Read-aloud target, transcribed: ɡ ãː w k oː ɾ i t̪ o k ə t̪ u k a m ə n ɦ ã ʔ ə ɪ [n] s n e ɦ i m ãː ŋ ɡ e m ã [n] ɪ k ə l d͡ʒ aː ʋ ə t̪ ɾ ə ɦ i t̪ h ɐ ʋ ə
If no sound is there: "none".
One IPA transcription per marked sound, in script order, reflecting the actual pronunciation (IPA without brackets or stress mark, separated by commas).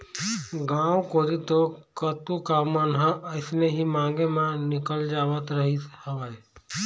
none, n